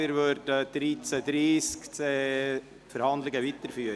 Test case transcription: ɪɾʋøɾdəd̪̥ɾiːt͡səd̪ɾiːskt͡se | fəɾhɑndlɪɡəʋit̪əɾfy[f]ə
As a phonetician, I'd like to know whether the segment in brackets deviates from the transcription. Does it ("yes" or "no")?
yes